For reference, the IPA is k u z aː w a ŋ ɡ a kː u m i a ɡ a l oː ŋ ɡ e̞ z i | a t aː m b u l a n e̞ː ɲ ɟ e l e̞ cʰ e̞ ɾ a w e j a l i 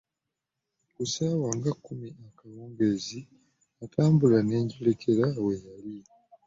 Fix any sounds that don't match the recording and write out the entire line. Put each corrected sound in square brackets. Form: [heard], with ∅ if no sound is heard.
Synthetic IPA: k u [s] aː w a ŋ ɡ a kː u m i a [k] a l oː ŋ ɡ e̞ z i | a t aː m b u l a n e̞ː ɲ ɟ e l e̞ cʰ e̞ ɾ a w e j a l i